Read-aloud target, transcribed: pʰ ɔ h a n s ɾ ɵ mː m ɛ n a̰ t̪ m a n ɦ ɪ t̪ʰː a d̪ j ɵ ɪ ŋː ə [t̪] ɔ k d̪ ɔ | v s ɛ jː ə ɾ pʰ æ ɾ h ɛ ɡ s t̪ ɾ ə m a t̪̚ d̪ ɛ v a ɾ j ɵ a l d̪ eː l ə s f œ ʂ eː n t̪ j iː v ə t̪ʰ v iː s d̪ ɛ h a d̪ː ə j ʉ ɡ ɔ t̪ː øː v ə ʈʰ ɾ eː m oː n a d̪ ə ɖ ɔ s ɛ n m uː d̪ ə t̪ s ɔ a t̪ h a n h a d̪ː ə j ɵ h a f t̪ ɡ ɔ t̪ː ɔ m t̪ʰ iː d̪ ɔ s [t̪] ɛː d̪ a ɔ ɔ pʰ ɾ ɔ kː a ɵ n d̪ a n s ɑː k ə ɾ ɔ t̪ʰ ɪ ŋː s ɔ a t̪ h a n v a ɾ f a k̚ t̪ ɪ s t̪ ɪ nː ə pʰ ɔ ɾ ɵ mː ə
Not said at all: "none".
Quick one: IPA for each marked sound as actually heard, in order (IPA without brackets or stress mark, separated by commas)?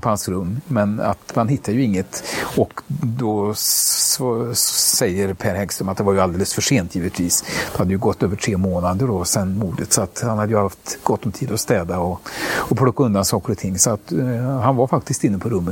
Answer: t̪, t̪